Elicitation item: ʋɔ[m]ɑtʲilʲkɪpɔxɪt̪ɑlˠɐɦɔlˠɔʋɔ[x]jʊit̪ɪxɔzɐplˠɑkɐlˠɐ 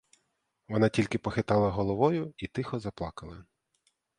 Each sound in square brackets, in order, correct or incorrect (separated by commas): incorrect, incorrect